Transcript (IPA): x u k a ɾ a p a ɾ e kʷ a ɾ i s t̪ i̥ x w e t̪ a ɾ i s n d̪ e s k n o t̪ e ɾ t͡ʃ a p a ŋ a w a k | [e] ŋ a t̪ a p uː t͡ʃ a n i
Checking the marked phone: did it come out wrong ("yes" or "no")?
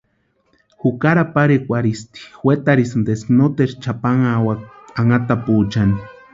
yes